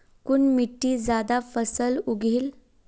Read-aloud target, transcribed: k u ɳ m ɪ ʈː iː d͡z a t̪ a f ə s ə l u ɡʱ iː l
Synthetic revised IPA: k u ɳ m i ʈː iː d͡z a d̪ a f ə s ə l u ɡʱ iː l